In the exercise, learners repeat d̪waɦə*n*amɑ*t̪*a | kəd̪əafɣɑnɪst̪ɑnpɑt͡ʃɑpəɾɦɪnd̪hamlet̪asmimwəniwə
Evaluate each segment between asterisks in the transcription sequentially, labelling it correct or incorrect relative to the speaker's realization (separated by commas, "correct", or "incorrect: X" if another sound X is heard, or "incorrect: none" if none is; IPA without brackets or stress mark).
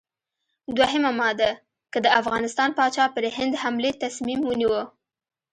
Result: incorrect: m, incorrect: d̪